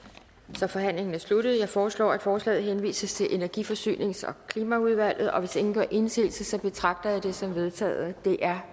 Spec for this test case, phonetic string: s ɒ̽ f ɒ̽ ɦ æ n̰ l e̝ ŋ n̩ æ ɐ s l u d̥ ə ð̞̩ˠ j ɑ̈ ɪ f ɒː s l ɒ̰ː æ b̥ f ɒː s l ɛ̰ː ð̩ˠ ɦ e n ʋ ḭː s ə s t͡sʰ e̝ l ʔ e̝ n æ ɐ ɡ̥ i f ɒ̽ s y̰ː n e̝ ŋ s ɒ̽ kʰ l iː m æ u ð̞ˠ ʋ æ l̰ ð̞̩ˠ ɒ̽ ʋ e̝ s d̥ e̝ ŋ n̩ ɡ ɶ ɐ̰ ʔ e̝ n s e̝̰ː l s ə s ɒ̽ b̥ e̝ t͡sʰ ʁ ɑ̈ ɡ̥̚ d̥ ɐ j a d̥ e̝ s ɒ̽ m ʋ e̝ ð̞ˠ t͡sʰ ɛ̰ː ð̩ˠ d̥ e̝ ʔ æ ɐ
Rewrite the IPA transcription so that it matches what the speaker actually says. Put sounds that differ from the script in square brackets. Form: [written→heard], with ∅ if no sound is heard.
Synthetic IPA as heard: s ɒ̽ f ɒ̽ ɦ æ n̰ l e̝ ŋ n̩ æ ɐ s l u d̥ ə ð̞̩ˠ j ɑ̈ ɪ f ɒː s l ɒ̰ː æ [b̥→d̥] f ɒː s l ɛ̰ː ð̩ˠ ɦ e n ʋ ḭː s ə s t͡sʰ e̝ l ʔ e̝ n æ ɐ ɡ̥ i f ɒ̽ s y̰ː n e̝ ŋ s ɒ̽ kʰ l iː m æ u ð̞ˠ ʋ æ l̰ ð̞̩ˠ ɒ̽ ʋ e̝ s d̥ e̝ ŋ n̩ ɡ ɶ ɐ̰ ʔ e̝ n s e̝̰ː l s ə s ɒ̽ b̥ e̝ t͡sʰ ʁ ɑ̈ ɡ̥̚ d̥ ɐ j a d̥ e̝ s ɒ̽ m ʋ e̝ ð̞ˠ t͡sʰ ɛ̰ː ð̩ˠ d̥ e̝ ʔ æ ɐ